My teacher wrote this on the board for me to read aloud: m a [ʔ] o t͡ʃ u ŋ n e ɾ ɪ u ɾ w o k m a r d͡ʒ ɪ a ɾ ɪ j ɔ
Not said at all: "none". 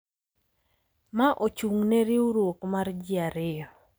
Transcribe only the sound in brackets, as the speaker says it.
ʔ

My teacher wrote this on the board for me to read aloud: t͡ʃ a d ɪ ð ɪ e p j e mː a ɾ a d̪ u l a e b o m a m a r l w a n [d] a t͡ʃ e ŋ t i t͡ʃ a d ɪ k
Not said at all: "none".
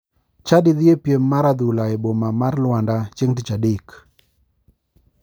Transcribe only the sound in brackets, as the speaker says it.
d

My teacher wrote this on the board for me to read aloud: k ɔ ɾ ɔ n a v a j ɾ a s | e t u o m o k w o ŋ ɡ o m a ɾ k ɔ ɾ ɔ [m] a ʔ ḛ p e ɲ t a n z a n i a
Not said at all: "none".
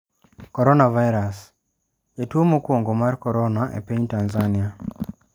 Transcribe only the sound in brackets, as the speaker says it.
n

